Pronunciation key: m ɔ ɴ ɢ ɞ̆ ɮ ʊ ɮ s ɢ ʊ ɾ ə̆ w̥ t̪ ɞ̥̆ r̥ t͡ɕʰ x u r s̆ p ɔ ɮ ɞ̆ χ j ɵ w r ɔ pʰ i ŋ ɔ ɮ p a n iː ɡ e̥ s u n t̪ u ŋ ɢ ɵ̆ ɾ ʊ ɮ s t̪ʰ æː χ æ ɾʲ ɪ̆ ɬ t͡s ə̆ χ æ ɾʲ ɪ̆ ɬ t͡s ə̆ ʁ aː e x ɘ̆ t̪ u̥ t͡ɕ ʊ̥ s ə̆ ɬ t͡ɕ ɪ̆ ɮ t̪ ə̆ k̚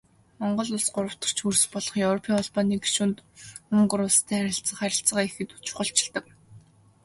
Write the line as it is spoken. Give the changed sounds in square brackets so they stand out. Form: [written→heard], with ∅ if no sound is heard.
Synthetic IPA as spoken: m ɔ ɴ ɢ ɞ̆ ɮ ʊ ɮ s ɢ ʊ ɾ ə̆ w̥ t̪ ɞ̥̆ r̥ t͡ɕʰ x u r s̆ p ɔ ɮ ɞ̆ χ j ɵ w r ɔ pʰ i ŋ ɔ ɮ p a n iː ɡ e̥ [s→ʃ] u n t̪ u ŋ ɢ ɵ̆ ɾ ʊ ɮ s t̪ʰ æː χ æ ɾʲ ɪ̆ ɬ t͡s ə̆ χ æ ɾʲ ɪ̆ ɬ t͡s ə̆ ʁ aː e x ɘ̆ t̪ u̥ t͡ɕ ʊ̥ [s→χ] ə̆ ɬ t͡ɕ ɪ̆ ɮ t̪ ə̆ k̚